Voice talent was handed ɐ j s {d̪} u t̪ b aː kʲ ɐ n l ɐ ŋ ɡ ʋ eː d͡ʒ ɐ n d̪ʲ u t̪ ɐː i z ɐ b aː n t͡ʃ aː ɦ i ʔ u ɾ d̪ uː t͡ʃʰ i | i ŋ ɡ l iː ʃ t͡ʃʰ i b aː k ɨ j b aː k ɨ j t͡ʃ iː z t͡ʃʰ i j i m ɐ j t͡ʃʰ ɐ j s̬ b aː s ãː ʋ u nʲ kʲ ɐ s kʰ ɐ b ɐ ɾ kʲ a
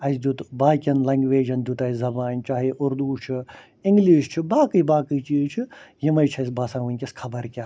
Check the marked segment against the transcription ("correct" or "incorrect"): correct